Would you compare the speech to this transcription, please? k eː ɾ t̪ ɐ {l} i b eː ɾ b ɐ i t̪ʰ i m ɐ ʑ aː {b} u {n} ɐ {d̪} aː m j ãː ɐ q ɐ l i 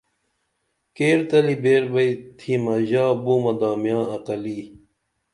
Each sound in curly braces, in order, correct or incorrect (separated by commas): correct, correct, incorrect, correct